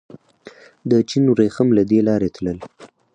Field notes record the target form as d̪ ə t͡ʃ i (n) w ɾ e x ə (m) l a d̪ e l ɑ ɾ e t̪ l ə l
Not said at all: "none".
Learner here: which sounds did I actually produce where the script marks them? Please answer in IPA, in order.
n, m

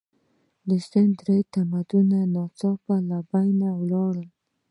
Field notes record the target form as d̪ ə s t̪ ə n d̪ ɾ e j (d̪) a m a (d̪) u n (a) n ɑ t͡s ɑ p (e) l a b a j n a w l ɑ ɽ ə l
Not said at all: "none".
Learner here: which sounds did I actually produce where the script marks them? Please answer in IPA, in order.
t̪, d̪, a, a

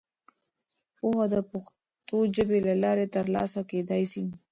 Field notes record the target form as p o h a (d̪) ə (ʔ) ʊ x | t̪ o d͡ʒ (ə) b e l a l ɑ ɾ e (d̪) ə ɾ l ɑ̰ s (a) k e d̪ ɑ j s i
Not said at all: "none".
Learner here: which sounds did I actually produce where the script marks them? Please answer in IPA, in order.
d̪, p, ə, t̪, a

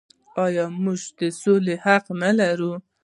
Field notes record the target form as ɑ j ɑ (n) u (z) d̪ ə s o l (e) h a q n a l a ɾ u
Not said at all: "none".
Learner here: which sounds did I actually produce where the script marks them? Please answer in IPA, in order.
m, ʒ, e

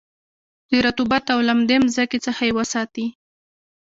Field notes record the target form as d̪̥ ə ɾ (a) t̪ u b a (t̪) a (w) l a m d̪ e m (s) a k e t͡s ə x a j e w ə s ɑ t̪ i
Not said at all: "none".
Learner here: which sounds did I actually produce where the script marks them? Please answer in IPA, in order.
a, t̪, w, z

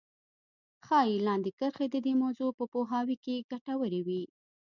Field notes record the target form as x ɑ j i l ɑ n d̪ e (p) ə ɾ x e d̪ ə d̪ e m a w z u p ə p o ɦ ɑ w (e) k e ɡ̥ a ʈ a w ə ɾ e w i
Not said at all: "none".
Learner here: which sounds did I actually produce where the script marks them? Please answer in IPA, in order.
k, i

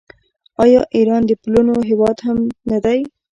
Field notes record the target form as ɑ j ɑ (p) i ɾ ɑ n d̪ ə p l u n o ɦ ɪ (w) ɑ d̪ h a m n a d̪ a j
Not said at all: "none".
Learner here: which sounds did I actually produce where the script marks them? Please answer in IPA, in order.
ʔ, w

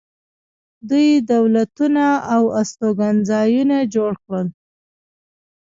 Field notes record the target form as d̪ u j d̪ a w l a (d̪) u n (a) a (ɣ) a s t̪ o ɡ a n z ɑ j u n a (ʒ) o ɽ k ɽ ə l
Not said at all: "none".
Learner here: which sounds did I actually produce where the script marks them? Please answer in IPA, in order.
t̪, a, w, d͡ʒ

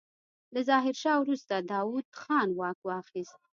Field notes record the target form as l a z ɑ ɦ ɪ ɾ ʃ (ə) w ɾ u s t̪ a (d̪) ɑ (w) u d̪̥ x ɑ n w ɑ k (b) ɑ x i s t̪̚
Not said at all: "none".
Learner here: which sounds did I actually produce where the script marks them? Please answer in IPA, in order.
ɑ, d̪, w, w

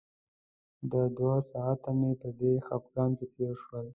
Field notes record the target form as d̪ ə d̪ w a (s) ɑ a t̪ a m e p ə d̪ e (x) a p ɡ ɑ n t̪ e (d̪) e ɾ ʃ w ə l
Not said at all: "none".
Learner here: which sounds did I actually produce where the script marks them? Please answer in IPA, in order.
s, x, t̪

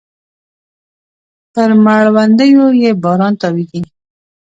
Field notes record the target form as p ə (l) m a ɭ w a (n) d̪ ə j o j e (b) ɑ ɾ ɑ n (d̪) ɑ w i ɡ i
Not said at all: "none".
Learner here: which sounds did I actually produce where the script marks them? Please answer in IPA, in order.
ɾ, n, b, t̪

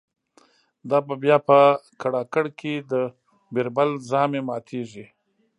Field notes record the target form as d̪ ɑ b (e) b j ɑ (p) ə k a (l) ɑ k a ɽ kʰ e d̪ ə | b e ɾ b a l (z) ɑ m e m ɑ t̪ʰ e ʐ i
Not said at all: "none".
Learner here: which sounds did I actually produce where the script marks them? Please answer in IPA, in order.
a, p, ɽ, z

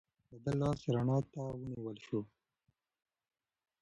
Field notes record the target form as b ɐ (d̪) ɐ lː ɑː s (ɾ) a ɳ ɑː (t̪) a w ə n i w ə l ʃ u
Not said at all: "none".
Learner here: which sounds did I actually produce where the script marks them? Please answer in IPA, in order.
d̪, ɾ, t̪

